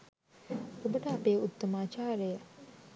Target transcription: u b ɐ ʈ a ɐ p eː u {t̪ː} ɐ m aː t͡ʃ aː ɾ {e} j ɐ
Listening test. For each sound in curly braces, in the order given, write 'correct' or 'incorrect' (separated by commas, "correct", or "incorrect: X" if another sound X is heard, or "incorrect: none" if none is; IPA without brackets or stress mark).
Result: correct, correct